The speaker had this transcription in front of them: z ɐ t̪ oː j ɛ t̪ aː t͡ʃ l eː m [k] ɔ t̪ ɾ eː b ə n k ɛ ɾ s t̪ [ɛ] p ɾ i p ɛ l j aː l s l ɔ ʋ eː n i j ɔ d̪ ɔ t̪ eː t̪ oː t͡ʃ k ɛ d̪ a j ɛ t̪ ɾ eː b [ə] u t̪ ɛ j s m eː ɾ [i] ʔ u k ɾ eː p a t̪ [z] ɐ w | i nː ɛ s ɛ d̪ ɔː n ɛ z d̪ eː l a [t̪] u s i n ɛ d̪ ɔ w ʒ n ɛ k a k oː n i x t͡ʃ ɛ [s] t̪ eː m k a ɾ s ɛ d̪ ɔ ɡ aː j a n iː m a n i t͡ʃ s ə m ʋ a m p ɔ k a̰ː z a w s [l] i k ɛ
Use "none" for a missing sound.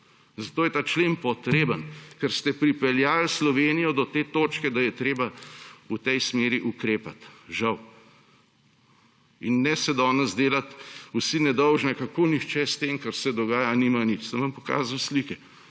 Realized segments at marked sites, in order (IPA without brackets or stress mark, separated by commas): p, ɛ, a, i, ʒ, t̪, s, l